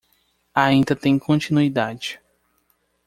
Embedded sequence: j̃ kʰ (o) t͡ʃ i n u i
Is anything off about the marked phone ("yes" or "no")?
yes